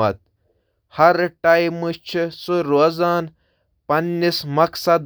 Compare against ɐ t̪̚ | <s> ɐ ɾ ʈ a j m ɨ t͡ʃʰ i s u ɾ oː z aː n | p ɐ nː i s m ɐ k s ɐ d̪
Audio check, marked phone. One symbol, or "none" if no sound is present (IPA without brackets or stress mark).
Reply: h